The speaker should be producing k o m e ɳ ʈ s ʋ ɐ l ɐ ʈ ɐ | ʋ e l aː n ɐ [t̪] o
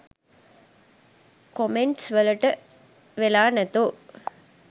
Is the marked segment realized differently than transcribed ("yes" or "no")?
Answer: no